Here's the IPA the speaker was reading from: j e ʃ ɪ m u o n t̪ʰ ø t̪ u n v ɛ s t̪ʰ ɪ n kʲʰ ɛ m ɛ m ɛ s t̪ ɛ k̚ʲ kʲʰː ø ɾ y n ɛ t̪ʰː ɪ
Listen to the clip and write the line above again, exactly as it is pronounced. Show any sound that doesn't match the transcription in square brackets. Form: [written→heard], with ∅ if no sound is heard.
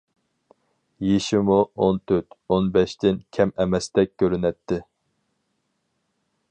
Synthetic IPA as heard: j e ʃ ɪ m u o n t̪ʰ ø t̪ [u→o] n [v→b] ɛ [s→ʃ] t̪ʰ ɪ n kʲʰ ɛ m ɛ m ɛ s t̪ ɛ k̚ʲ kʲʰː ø ɾ y n ɛ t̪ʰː ɪ